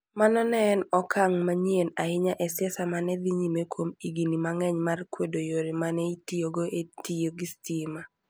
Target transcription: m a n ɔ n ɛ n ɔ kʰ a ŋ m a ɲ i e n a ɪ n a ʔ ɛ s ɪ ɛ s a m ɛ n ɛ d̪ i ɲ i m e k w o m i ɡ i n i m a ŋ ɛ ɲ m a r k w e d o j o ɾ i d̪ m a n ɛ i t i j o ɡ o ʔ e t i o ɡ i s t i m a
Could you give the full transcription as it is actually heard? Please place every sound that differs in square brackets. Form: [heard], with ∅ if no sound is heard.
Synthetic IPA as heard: m a n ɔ n ɛ n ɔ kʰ a ŋ m a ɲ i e n a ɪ [ɲ] a ʔ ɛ s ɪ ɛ s a m [a] n ɛ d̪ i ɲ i m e k w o m i ɡ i n i m a ŋ ɛ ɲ m a r k w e d o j o ɾ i [∅] m a n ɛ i t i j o ɡ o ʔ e t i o ɡ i s t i m a